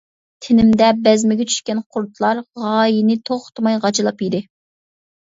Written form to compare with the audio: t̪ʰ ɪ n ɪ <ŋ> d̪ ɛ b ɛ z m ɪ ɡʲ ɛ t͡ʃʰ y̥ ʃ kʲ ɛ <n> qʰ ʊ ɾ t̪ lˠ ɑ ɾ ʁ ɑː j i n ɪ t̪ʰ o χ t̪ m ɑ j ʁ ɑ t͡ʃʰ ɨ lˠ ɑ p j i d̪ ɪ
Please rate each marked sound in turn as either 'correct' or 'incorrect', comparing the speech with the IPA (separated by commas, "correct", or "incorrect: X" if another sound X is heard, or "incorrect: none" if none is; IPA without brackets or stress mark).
incorrect: m, correct